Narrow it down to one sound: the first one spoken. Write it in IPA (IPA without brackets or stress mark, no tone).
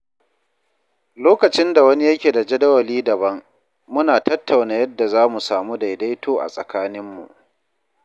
l